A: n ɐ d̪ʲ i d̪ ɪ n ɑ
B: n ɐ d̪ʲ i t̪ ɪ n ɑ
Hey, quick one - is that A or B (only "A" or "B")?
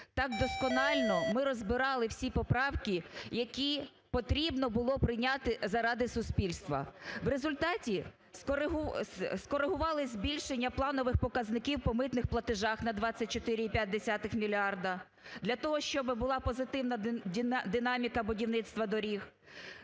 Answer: A